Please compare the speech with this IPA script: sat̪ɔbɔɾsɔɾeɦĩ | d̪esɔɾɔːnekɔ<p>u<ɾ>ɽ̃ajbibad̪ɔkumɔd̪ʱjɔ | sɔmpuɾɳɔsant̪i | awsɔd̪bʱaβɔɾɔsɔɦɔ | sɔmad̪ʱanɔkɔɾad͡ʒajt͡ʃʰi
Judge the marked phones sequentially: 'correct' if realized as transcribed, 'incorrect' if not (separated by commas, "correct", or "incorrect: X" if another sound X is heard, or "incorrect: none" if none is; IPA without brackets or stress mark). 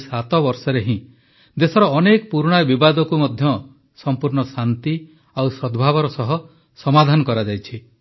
correct, correct